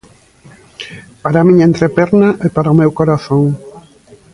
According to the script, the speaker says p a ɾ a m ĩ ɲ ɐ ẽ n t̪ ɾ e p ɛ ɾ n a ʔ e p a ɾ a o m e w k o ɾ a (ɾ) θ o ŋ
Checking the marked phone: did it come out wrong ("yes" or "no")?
yes